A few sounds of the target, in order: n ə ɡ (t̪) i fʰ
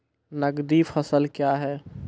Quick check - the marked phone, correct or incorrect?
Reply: incorrect: d̪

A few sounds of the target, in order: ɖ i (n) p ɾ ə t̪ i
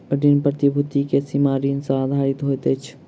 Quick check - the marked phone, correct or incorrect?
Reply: correct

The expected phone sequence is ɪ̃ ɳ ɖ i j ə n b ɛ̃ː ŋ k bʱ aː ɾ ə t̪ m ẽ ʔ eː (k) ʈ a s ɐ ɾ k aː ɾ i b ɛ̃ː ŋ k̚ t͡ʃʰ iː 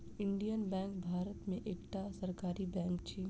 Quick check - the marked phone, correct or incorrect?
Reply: correct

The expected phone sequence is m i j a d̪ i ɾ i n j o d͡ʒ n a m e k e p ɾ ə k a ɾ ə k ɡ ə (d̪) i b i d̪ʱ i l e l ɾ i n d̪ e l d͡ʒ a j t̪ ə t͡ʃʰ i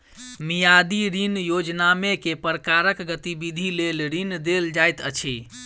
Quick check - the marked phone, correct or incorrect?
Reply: incorrect: t̪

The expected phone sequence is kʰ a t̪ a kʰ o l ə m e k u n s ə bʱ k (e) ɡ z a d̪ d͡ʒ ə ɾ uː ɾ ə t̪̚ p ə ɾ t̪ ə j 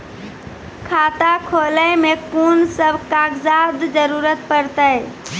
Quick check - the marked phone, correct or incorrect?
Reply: incorrect: a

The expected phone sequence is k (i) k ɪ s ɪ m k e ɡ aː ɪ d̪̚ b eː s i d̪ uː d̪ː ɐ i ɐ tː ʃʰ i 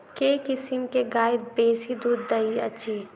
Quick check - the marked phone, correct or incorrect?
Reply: incorrect: e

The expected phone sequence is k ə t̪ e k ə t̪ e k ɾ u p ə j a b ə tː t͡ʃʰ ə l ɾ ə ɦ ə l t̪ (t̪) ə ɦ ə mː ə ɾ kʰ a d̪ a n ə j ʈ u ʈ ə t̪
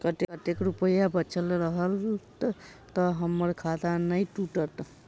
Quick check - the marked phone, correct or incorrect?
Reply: correct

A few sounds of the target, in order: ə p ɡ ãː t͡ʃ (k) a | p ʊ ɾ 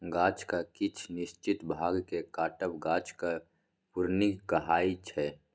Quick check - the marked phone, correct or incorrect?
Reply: correct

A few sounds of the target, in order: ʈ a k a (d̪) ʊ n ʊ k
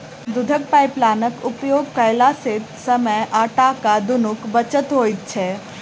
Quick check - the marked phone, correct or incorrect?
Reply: correct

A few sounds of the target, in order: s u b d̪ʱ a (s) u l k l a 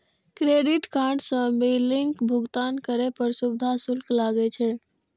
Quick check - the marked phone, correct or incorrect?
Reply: correct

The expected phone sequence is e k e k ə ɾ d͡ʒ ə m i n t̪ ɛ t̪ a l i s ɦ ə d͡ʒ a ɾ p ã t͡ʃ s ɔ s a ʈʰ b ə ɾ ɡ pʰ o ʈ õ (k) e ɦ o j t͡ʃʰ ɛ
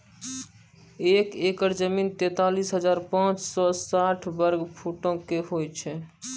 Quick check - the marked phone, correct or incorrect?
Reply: correct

